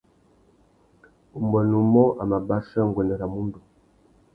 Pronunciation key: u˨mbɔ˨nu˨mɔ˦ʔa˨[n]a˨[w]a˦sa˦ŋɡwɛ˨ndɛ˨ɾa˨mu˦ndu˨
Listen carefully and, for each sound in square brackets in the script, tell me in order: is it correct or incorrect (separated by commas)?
incorrect, incorrect